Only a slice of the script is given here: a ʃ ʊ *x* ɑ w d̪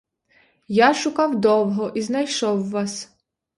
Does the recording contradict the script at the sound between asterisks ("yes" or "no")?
yes